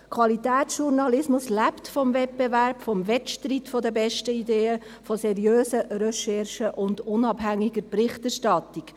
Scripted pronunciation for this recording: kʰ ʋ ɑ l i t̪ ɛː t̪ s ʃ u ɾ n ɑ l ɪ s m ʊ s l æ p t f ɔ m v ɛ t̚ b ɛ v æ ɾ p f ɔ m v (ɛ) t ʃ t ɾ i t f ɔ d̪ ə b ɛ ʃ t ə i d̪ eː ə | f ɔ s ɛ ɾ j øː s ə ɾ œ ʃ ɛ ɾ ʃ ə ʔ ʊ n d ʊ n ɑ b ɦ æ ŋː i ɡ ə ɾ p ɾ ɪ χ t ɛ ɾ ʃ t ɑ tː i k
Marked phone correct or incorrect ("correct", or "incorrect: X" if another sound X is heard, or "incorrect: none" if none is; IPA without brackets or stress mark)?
correct